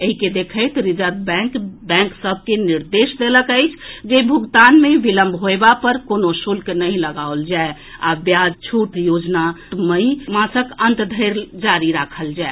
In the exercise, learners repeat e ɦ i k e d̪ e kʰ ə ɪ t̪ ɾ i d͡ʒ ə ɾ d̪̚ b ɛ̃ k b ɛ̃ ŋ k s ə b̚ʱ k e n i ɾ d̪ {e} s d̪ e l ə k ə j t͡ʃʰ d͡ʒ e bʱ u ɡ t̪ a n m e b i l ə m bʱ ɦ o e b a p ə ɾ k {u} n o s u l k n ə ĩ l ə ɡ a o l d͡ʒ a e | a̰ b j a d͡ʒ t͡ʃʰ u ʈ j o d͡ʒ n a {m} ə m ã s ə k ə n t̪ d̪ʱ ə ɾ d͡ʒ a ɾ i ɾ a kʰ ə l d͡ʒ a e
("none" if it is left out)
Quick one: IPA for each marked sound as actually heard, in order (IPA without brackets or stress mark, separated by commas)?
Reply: e, o, m